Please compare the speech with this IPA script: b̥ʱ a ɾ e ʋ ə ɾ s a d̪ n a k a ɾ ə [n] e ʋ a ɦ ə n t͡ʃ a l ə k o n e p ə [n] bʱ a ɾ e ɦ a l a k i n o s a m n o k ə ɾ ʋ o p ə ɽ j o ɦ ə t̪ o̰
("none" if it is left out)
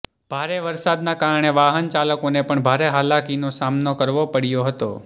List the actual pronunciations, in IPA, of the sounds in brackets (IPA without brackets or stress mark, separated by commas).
ɳ, ɳ